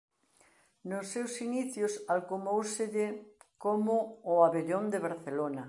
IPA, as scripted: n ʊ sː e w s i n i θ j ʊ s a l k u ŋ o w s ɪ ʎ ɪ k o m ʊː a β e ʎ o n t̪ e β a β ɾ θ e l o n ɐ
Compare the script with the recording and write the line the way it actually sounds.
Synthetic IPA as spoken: n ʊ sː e w s i n i θ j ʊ s a l k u m o w s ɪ ʎ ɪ k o m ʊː a β e ʎ o n d̪ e β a ɾ θ e l o n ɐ